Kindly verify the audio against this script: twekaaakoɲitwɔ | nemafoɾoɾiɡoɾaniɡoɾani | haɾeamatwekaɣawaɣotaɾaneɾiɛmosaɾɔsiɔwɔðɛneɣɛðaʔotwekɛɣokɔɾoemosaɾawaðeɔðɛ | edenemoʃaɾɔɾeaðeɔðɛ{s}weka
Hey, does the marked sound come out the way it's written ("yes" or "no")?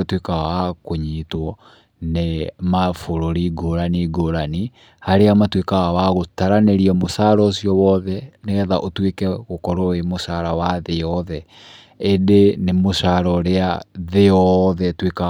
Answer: no